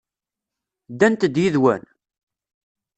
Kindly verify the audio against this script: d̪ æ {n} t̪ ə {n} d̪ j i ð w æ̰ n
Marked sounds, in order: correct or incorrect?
correct, incorrect: none

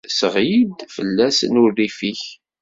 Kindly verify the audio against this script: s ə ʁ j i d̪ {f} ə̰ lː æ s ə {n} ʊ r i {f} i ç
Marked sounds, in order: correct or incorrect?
correct, correct, correct

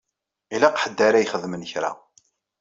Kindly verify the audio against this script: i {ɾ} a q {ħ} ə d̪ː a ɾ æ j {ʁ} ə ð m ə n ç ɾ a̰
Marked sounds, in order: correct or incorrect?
incorrect: l, correct, incorrect: χ

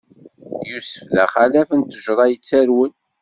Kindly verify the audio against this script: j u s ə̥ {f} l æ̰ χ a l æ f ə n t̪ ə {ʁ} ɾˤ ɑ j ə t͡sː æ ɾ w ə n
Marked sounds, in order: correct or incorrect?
correct, incorrect: ʒ

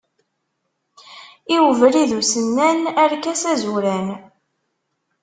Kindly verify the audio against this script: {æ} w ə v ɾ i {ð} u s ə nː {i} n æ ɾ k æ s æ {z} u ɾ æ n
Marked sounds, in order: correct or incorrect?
incorrect: i, correct, incorrect: æ, correct

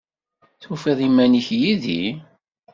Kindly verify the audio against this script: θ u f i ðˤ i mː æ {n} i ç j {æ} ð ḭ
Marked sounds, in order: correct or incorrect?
correct, incorrect: i

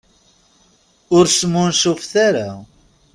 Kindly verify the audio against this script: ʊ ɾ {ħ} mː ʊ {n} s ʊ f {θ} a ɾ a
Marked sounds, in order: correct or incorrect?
incorrect: s, correct, correct

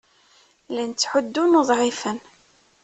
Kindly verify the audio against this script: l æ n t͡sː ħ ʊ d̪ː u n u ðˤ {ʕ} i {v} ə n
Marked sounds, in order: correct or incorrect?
correct, incorrect: f

